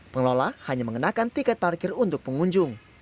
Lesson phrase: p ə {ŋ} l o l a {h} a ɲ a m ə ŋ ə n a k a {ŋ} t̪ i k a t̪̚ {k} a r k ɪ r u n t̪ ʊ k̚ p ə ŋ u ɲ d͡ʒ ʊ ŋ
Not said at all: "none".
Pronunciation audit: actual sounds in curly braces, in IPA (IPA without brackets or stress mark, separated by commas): ŋ, h, n, p